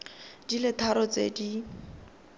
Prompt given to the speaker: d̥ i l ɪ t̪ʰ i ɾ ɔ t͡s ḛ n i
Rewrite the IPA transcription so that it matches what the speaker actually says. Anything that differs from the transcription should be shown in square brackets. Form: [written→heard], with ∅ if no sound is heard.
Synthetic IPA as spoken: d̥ i l ɪ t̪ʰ [i→a] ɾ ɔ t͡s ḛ [n→d] i